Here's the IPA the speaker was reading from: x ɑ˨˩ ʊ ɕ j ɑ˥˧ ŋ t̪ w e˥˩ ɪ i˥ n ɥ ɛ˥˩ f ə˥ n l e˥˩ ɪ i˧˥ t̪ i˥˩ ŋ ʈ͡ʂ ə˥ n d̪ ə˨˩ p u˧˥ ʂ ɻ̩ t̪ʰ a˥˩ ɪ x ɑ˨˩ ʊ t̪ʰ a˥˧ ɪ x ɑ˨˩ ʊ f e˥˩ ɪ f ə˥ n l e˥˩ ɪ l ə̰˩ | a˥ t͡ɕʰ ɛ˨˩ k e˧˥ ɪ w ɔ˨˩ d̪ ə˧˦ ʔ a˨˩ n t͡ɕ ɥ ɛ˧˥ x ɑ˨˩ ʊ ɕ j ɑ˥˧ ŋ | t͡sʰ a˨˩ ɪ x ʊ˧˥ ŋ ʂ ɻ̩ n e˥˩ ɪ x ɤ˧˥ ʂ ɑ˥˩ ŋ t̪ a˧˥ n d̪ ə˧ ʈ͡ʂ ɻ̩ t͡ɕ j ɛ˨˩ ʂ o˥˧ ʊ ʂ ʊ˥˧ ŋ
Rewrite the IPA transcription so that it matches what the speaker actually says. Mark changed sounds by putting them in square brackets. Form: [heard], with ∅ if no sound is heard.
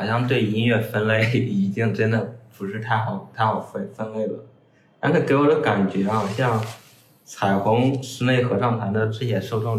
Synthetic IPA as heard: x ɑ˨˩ ʊ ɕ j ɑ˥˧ ŋ t̪ w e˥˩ ɪ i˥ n ɥ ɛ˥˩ f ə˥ n l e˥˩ ɪ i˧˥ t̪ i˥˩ ŋ ʈ͡ʂ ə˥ n d̪ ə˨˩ p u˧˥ ʂ ɻ̩ t̪ʰ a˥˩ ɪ x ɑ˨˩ ʊ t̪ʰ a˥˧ ɪ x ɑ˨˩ ʊ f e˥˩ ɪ f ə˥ n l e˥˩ ɪ l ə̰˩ | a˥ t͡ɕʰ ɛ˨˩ k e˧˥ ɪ w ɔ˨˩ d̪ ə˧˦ [k] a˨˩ n t͡ɕ ɥ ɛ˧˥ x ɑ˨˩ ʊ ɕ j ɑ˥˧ ŋ | t͡sʰ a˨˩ ɪ x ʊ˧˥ ŋ ʂ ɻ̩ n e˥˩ ɪ x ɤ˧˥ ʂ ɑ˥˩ ŋ [t̪ʰ] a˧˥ n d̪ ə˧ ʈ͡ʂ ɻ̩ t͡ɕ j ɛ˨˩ ʂ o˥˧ ʊ [ʈ͡ʂ] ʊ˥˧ ŋ